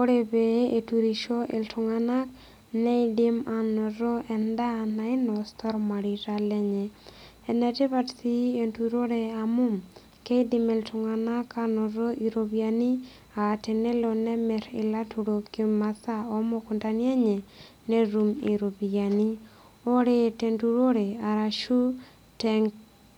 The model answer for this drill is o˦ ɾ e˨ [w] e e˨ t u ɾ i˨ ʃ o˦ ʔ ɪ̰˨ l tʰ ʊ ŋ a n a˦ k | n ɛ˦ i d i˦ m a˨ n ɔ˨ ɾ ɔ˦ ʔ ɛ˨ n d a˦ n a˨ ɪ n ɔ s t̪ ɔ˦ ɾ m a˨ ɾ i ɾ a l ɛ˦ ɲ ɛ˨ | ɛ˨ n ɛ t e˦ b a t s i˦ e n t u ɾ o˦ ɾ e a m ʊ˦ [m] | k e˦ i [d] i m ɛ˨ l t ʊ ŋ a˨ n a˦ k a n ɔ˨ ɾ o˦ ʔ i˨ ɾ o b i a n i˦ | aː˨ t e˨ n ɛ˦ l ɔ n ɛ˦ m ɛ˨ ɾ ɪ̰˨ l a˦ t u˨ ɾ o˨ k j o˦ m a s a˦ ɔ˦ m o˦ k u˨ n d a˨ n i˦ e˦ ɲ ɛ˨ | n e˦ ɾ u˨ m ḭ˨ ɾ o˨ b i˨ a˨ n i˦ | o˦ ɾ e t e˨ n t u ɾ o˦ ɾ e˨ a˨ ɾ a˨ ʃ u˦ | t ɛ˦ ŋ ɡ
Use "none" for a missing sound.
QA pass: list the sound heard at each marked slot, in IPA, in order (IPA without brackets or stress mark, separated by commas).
b, m, d